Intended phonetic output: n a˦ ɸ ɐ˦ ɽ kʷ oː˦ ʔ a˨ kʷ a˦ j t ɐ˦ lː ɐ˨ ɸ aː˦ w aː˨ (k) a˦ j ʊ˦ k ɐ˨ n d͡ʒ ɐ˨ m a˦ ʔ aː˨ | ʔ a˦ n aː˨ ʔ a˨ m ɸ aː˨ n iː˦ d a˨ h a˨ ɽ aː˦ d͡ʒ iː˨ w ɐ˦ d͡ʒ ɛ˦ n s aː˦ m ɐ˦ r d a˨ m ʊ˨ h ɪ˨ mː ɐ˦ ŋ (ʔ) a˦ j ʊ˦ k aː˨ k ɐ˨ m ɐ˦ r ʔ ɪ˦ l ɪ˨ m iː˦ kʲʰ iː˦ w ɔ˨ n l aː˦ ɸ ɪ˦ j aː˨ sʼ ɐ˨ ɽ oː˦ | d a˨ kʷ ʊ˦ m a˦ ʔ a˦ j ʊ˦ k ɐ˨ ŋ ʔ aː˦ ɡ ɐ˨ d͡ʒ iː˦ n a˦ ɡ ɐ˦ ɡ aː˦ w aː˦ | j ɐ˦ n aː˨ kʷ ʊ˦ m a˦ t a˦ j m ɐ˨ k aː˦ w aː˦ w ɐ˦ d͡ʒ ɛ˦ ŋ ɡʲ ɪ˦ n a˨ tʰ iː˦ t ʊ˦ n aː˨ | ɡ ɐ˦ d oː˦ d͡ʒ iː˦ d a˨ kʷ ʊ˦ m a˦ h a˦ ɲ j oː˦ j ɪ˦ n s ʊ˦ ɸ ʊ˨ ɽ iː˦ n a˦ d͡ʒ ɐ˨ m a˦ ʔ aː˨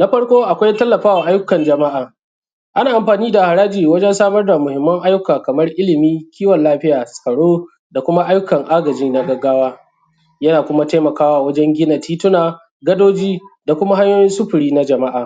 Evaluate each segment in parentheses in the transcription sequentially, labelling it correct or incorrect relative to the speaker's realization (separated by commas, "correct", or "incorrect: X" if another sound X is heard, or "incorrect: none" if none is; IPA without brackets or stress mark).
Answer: incorrect: ʔ, correct